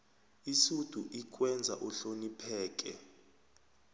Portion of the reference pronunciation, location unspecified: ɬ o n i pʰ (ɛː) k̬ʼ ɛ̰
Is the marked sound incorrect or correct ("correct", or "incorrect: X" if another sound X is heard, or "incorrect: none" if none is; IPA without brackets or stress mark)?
correct